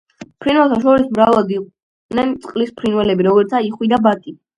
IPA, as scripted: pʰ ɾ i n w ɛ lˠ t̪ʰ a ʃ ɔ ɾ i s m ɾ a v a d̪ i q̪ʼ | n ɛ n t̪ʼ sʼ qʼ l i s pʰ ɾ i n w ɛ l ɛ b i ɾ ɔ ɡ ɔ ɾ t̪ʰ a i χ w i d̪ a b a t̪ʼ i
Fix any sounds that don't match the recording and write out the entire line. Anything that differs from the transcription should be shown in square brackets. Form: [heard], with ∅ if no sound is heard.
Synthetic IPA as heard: pʰ ɾ i n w ɛ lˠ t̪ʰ a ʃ ɔ ɾ i s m ɾ a v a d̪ i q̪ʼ | n ɛ n [t̪] sʼ qʼ l i s pʰ ɾ i n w ɛ l ɛ b i ɾ ɔ ɡ ɔ ɾ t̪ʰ a i χ w i d̪ a b a t̪ʼ i